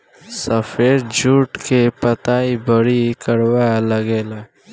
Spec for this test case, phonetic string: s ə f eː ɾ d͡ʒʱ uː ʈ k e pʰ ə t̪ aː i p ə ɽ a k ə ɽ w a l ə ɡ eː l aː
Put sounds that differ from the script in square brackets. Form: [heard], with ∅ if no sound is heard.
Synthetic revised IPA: s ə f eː ɾ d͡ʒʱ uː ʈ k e [p] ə t̪ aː i [b] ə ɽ [i] k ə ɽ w a l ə ɡ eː l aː